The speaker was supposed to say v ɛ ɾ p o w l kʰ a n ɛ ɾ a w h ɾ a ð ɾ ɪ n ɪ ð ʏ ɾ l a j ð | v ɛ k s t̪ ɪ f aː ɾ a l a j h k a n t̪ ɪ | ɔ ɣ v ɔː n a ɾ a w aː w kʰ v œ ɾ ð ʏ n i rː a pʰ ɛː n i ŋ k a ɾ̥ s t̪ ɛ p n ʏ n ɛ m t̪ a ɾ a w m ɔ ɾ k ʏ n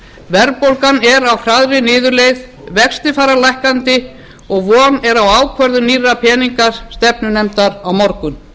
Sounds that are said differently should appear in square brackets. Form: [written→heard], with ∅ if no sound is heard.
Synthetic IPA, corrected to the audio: v ɛ ɾ p o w l [kʰ→k] a n ɛ ɾ a w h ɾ a ð ɾ ɪ n [ɪ→ɪː] ð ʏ ɾ l [a→e] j ð | v ɛ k s t̪ ɪ f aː ɾ a l a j h k a n t̪ ɪ | ɔ ɣ v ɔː n [a→ɛ] ɾ a w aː w kʰ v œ ɾ ð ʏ n i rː a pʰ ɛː n i ŋ k a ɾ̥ s t̪ ɛ p n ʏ n ɛ m t̪ a ɾ a w m ɔ ɾ k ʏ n

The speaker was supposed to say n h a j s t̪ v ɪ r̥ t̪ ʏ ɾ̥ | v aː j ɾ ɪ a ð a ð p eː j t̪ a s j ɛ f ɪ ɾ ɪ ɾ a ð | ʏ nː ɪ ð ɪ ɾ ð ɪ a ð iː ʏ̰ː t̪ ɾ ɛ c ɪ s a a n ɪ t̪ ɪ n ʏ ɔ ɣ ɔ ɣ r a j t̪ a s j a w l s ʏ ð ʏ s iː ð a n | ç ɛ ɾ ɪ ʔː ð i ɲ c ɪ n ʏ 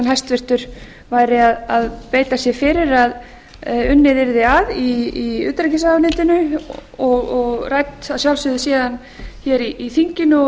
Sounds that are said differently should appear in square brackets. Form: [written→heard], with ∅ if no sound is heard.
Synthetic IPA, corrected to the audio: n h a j s t̪ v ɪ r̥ t̪ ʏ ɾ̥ | v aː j ɾ ɪ a ð a ð p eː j t̪ a s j ɛ f ɪ ɾ ɪ ɾ a ð | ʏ nː ɪ ð ɪ ɾ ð ɪ a ð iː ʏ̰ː t̪ ɾ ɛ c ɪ s a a n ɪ t̪ ɪ n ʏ ɔ ɣ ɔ ɣ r a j t̪ a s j a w l s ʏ ð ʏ s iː ð a n | ç ɛ ɾ [ɪ→i] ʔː [ð→θ] i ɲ c ɪ n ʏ

